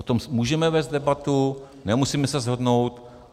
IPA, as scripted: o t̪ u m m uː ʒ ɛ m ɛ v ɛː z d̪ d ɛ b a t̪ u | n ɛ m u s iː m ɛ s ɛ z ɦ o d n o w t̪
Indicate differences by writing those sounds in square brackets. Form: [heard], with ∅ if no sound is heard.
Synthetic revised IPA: o t̪ [o] m m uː ʒ ɛ m ɛ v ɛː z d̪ d ɛ b a t̪ u | n ɛ m u s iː m ɛ s ɛ z ɦ o d n o w t̪